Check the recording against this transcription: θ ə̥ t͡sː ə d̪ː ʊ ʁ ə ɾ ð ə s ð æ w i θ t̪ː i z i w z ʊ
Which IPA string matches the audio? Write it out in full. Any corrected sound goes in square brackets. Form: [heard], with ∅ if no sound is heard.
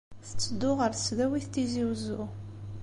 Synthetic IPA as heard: θ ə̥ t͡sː ə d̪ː ʊ ʁ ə ɾ [θ] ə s ð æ w i θ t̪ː i z i w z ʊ